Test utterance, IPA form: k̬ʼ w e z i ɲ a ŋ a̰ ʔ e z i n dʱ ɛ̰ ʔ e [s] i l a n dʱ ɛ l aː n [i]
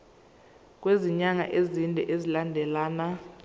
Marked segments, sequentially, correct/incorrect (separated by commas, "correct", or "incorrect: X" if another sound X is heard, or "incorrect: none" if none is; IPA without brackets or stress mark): incorrect: z, incorrect: a